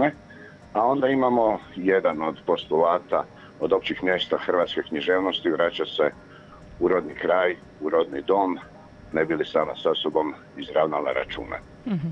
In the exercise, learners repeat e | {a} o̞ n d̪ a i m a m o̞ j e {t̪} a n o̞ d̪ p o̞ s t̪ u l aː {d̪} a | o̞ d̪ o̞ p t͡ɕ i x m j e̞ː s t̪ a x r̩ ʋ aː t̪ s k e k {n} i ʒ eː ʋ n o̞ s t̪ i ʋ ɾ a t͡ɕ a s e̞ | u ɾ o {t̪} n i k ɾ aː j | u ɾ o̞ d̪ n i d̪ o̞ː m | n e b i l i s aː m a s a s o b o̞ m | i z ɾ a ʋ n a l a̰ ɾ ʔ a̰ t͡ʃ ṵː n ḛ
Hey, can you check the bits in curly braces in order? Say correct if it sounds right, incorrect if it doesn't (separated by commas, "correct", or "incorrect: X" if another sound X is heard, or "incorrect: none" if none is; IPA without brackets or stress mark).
correct, incorrect: d̪, incorrect: t̪, incorrect: ɲ, incorrect: d̪